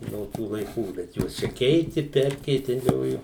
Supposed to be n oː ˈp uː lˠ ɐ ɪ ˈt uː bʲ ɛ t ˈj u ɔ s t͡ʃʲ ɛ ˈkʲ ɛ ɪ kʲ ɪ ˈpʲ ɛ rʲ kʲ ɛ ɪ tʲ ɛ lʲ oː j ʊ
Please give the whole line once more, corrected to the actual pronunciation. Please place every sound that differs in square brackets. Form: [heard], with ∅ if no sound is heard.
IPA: n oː [ˈt] uː lˠ ɐ ɪ [ˈk] uː bʲ ɛ t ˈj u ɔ s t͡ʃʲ ɛ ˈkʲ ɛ ɪ [tʲ] ɪ ˈpʲ ɛ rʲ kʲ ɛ ɪ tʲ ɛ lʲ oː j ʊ